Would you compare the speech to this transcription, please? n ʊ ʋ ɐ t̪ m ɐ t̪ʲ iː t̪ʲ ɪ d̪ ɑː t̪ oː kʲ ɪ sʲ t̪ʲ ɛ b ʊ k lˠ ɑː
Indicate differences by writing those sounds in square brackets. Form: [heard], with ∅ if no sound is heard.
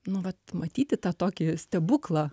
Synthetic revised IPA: n ʊ ʋ ɐ t̪ m ɐ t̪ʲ iː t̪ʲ ɪ [t̪] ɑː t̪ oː kʲ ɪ sʲ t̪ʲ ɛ b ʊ k lˠ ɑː